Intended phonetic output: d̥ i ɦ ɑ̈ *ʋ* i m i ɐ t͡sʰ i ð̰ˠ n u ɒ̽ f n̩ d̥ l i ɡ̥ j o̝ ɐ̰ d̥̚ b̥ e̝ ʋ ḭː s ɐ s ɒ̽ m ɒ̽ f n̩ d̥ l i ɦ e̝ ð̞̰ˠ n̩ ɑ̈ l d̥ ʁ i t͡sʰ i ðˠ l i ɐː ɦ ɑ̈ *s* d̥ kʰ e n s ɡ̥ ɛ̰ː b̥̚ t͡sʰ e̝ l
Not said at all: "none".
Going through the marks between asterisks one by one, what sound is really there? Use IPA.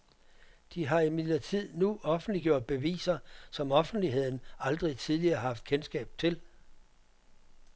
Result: none, f

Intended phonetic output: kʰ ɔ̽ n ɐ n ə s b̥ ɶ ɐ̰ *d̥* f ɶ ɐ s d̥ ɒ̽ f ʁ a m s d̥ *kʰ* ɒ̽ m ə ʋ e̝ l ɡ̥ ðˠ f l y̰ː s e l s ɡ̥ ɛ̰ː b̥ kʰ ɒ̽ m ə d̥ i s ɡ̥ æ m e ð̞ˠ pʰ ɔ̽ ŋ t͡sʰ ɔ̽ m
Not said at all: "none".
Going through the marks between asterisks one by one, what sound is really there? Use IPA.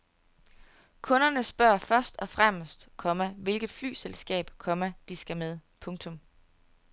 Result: none, kʰ

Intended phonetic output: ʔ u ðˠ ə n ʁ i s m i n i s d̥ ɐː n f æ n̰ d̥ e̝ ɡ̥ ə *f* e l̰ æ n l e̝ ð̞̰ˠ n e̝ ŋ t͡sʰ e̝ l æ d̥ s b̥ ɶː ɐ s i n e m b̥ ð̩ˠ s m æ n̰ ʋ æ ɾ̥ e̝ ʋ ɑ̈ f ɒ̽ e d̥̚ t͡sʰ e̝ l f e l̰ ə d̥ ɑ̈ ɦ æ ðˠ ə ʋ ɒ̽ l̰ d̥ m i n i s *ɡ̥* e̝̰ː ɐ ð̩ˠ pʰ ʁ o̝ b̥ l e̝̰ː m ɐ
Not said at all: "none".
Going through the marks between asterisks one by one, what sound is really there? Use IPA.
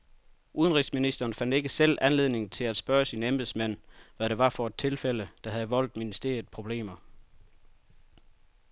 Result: s, d̥

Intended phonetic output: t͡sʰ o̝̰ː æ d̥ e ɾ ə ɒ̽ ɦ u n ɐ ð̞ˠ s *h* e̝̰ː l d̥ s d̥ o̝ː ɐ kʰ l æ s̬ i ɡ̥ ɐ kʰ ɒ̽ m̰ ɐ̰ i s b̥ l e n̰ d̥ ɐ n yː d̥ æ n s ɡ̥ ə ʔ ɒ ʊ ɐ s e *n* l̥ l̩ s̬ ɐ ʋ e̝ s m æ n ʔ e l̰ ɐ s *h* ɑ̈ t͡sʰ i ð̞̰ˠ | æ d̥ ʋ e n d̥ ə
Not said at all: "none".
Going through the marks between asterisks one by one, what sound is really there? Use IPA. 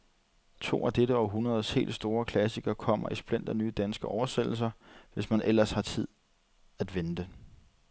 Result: h, none, h

